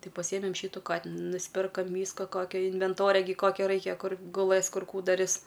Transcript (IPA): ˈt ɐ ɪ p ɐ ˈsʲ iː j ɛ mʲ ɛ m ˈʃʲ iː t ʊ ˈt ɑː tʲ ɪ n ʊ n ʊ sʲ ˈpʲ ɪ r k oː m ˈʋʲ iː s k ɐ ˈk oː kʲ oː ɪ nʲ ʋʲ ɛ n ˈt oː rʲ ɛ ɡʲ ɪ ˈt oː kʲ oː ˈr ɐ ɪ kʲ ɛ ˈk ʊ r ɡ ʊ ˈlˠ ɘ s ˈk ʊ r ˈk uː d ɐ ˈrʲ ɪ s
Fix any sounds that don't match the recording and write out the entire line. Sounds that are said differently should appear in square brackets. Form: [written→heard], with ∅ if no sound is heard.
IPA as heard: ˈt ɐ ɪ p ɐ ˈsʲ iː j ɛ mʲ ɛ m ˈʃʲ iː t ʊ [ˈt→ˈk] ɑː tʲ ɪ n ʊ n ʊ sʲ ˈpʲ ɪ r k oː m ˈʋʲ iː s k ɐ ˈk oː kʲ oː ɪ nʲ ʋʲ ɛ n ˈt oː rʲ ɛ ɡʲ ɪ [ˈt→ˈk] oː kʲ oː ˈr ɐ ɪ kʲ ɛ ˈk ʊ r ɡ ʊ ˈlˠ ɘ s ˈk ʊ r ˈk uː d ɐ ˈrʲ ɪ s